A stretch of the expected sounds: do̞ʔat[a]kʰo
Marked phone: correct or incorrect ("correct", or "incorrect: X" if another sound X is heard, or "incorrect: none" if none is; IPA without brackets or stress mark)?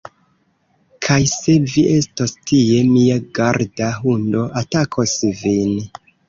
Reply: correct